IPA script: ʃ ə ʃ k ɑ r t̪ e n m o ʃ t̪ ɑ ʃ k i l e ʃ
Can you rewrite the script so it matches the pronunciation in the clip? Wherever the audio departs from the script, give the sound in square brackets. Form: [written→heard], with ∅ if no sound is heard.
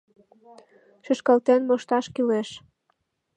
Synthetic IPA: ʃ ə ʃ k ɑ [r→l] t̪ e n m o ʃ t̪ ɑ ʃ k i l e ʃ